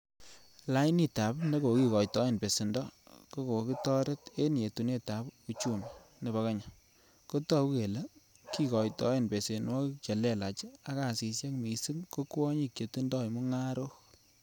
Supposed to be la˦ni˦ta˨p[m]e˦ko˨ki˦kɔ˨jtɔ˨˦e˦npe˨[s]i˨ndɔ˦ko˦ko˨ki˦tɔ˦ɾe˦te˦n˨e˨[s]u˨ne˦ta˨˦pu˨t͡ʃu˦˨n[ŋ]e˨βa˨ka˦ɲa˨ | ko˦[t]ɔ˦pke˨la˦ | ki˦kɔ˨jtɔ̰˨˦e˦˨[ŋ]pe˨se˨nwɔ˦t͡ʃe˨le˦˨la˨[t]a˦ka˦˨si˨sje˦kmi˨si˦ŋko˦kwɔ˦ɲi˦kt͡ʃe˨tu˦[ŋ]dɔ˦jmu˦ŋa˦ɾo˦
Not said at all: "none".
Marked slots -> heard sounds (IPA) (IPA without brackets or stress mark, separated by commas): n, s, t, n, t, n, t͡ʃ, n